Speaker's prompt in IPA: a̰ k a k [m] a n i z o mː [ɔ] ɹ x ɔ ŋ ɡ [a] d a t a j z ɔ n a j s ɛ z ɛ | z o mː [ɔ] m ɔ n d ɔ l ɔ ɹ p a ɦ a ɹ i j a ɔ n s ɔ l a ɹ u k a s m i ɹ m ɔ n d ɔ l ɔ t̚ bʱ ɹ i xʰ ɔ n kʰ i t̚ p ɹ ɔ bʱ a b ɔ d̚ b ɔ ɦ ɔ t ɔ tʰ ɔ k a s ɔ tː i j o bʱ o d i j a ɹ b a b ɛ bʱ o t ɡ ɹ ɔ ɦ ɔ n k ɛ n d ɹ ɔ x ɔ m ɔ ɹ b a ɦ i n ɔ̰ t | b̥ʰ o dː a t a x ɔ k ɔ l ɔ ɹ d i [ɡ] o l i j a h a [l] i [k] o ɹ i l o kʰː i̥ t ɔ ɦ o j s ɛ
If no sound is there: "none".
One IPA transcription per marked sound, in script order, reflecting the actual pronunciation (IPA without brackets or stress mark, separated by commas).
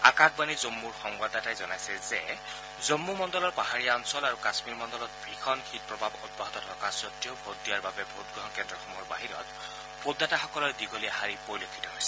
b, u, a, u, ɡ, ɹ, p